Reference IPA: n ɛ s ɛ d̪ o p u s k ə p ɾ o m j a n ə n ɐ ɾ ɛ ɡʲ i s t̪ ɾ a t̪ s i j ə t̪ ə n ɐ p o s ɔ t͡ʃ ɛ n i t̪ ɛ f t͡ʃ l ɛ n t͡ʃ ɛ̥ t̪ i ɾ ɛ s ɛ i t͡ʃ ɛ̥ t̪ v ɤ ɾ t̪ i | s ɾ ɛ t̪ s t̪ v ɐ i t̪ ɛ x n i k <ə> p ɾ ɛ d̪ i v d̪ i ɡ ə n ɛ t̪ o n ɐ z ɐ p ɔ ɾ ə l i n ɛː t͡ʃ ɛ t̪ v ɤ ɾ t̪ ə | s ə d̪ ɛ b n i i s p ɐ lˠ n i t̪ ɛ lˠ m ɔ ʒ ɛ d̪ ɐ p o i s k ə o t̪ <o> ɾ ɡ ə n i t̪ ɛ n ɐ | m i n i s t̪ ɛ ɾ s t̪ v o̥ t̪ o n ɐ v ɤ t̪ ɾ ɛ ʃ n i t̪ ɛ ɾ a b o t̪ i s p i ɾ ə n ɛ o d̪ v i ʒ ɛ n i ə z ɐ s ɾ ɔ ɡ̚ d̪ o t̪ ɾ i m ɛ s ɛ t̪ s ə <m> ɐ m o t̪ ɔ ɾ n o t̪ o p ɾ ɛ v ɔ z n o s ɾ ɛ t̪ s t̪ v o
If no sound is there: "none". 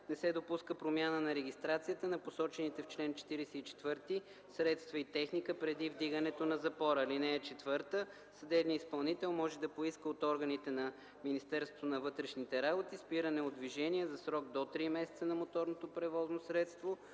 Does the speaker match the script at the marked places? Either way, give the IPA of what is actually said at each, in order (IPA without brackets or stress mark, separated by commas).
ə, ɔ, n